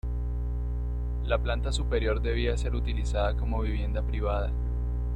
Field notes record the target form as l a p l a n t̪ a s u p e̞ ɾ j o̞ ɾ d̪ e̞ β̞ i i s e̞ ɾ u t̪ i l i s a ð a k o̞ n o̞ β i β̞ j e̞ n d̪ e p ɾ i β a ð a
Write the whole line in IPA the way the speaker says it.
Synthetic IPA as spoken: l a p l a n t̪ a s u p e̞ ɾ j o̞ ɾ d̪ e̞ β̞ i a s e̞ ɾ u t̪ i l i s a ð a k o̞ m o̞ β i β̞ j e̞ n d̪ a p ɾ i β a ð a

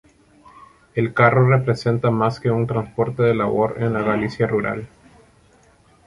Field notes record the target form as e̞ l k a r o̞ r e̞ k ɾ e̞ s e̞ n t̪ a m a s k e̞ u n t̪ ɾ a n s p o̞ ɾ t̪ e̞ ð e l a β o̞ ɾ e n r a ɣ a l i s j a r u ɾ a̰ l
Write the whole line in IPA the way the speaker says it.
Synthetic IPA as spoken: e̞ l k a r o̞ r e̞ p ɾ e̞ s e̞ n t̪ a m a s k e̞ u n t̪ ɾ a n s p o̞ ɾ t̪ e̞ ð e l a β o̞ ɾ e n l a ɣ a l i s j a r u ɾ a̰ l

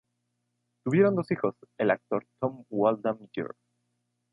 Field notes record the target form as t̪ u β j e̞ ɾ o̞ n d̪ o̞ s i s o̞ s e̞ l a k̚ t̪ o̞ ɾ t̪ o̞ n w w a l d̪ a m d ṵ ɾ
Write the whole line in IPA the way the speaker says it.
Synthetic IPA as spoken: t̪ u β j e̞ ɾ o̞ n d̪ o̞ s i x o̞ s e̞ l a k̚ t̪ o̞ ɾ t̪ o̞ m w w a l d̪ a m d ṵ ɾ

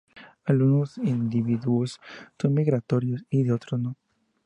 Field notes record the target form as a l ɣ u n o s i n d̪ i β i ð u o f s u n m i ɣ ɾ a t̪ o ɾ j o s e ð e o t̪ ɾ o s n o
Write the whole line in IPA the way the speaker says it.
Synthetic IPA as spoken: a l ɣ u n o s i n d̪ i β i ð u o s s o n m i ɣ ɾ a t̪ o ɾ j o s i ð e o t̪ ɾ o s n o

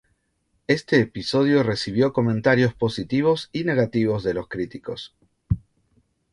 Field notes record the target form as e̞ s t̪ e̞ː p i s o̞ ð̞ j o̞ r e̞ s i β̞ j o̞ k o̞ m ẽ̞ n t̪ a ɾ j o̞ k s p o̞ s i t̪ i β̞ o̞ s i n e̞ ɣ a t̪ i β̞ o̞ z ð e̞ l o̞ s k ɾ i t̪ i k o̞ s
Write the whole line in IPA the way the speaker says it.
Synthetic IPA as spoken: e̞ s t̪ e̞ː p i s o̞ ð̞ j o̞ r e̞ s i β̞ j o̞ k o̞ m ẽ̞ n t̪ a ɾ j o̞ s p o̞ s i t̪ i β̞ o̞ s i n e̞ ɣ a t̪ i β̞ o̞ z ð e̞ l o̞ s k ɾ i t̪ i k o̞ s

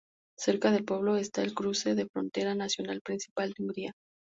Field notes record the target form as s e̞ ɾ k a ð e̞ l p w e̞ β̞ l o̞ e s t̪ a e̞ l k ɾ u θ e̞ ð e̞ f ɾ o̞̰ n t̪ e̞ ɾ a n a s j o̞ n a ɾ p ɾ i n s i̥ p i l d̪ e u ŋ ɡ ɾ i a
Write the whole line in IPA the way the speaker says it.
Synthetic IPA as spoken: s e̞ ɾ k a ð e̞ l p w e̞ β̞ l o̞ e s t̪ a e̞ l k ɾ u s e̞ ð e̞ f ɾ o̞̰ n t̪ e̞ ɾ a n a s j o̞ n a l p ɾ i n s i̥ p a l d̪ e u ŋ ɡ ɾ i a

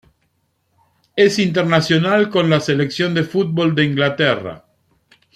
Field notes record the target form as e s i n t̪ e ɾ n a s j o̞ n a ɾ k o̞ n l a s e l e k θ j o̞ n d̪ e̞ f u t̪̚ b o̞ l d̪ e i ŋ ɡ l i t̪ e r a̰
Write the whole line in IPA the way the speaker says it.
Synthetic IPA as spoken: e s i n t̪ e ɾ n a s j o̞ n a l k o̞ n l a s e l e k s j o̞ n d̪ e̞ f u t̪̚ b o̞ l d̪ e i ŋ ɡ l a t̪ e r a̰

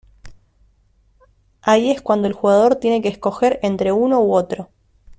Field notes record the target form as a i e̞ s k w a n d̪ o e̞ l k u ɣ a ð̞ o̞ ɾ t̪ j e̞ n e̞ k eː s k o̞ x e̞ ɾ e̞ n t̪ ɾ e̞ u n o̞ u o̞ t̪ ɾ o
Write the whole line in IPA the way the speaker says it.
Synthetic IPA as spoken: a i e̞ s k w a n d̪ o e̞ l x u ɣ a ð̞ o̞ ɾ t̪ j e̞ n e̞ k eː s k o̞ x e̞ ɾ e̞ n t̪ ɾ e̞ u n o̞ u o̞ t̪ ɾ o

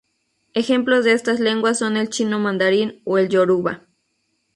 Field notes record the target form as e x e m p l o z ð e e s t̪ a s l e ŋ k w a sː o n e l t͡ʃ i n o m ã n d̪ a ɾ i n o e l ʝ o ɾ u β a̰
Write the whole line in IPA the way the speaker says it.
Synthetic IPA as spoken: e x e m p l o z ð e e s t̪ a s l e ŋ ɡ w a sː o n e l t͡ʃ i n o m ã n d̪ a ɾ i n o e l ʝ o ɾ u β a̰

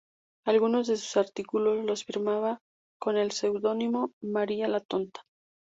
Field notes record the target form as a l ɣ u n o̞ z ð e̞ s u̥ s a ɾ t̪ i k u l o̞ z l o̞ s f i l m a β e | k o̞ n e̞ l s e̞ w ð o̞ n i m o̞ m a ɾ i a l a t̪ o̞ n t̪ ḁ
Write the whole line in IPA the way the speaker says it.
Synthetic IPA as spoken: a l ɣ u n o̞ z ð e̞ s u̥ s a ɾ t̪ i k u l o̞ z l o̞ s f i ɾ m a β a | k o̞ n e̞ l s e̞ w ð o̞ n i m o̞ m a ɾ i a l a t̪ o̞ n t̪ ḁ

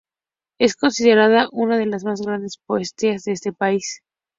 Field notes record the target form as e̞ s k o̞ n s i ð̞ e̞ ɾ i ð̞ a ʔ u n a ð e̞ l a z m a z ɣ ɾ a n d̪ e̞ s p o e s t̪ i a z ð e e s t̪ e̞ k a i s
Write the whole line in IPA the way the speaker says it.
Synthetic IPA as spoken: e̞ s k o̞ n s i ð̞ e̞ ɾ a ð̞ a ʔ u n a ð e̞ l a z m a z ɣ ɾ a n d̪ e̞ s p o e s t̪ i a z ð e e s t̪ e̞ p a i s

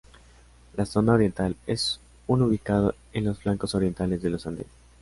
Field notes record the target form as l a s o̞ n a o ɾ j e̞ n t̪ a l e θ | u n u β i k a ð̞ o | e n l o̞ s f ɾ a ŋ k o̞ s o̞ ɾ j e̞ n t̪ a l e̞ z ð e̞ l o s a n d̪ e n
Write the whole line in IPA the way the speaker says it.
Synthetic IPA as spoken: l a s o̞ n a o ɾ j e̞ n t̪ a l e s | u n u β i k a ð̞ o | e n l o̞ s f l a ŋ k o̞ s o̞ ɾ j e̞ n t̪ a l e̞ z ð e̞ l o s a n d̪ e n

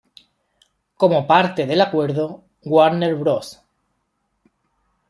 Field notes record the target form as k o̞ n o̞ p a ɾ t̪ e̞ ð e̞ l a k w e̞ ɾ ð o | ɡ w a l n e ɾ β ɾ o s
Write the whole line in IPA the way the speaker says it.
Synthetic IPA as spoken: k o̞ m o̞ p a ɾ t̪ e̞ ð e̞ l a k w e̞ ɾ ð o | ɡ w a ɾ n e ɾ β ɾ o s

